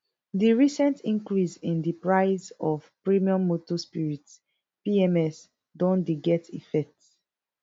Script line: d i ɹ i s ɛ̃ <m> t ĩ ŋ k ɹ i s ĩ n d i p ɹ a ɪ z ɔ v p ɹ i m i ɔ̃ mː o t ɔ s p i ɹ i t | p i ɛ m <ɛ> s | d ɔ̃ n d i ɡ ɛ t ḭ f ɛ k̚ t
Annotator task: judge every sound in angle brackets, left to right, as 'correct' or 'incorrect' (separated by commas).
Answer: incorrect, correct